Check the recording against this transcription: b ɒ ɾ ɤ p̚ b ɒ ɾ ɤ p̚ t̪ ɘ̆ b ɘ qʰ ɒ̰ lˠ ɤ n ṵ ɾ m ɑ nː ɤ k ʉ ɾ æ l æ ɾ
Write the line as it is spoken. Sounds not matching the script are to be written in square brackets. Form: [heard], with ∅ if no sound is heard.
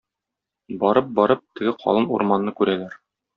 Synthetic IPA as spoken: b ɒ ɾ ɤ p̚ b ɒ ɾ ɤ p̚ t̪ ɘ̆ [ɡ] ɘ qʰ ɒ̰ lˠ ɤ n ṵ ɾ m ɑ nː ɤ k ʉ ɾ æ l æ ɾ

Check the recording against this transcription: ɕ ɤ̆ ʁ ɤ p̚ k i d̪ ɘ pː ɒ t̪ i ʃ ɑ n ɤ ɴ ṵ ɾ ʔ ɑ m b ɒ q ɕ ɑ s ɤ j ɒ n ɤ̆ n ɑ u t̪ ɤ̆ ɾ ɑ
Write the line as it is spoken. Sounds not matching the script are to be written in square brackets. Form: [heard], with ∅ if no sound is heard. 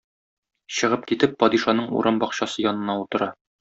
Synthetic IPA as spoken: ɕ ɤ̆ ʁ ɤ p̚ k i [t̪] ɘ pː ɒ [d̪] i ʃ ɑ n ɤ ɴ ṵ ɾ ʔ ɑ m b ɒ q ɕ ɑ s ɤ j ɒ n ɤ̆ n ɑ u t̪ ɤ̆ ɾ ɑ

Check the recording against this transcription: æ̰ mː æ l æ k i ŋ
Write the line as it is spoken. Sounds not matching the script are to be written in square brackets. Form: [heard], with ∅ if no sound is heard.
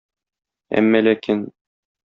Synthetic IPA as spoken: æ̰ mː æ l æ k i [n]

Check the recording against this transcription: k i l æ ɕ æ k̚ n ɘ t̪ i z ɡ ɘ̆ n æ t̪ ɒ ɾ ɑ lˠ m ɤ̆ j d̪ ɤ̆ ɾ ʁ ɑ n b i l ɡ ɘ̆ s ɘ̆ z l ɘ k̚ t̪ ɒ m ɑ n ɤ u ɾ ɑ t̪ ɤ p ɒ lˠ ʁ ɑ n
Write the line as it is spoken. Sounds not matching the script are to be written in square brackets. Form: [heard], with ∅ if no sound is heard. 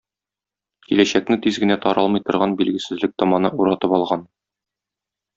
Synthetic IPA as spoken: k i l æ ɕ æ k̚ n ɘ t̪ i z ɡ ɘ̆ n æ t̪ ɒ ɾ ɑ lˠ m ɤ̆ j [t̪] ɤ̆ ɾ ʁ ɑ n b i l ɡ ɘ̆ s ɘ̆ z l ɘ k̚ t̪ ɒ m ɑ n ɤ u ɾ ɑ t̪ ɤ p ɒ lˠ ʁ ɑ n

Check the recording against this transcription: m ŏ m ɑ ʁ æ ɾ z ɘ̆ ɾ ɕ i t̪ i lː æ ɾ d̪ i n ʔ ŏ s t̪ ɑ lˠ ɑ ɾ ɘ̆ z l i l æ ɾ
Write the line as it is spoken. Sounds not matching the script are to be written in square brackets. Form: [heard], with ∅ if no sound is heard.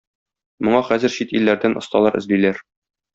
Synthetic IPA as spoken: m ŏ [ɴ] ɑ [χ] æ [∅] z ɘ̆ ɾ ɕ i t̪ i lː æ ɾ d̪ [æ] n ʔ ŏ s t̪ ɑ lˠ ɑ ɾ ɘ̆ z l i l æ ɾ

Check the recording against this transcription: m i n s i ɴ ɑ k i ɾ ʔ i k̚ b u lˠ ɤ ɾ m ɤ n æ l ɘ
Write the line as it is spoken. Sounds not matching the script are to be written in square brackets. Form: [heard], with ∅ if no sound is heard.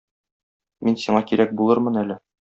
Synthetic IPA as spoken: m i n s i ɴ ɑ k i ɾ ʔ [æ] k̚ b u lˠ ɤ ɾ m ɤ n æ l ɘ

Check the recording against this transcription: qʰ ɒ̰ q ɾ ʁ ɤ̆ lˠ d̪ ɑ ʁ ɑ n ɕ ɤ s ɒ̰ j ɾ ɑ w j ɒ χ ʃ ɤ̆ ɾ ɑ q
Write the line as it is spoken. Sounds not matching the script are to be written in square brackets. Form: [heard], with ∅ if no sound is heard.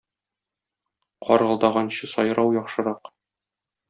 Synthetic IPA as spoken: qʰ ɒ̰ [∅] ɾ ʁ ɤ̆ lˠ d̪ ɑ ʁ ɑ n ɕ ɤ s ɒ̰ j ɾ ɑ w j ɒ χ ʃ ɤ̆ ɾ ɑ q

